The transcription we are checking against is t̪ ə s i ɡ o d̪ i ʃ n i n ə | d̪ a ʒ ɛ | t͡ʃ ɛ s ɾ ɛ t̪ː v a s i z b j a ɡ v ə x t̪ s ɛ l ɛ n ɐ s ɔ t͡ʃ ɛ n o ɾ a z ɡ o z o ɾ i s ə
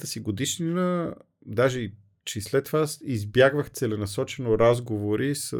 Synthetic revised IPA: t̪ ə s i ɡ o d̪ i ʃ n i n ə | d̪ a ʒ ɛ | t͡ʃ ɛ s l ɛ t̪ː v a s i z b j a ɡ v ə x t̪ s ɛ l ɛ n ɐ s ɔ t͡ʃ ɛ n o ɾ a z ɡ o v o ɾ i s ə